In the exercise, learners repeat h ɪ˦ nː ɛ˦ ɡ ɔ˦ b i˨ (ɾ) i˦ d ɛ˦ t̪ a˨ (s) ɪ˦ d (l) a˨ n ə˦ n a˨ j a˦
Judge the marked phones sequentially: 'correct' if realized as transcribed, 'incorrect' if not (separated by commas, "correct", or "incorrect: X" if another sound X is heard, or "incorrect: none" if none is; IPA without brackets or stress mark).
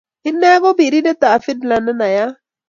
correct, incorrect: f, correct